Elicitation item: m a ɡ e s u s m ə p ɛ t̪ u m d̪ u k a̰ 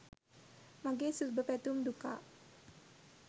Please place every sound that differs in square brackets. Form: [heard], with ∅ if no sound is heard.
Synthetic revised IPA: m a ɡ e s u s [b] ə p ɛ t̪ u m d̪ u k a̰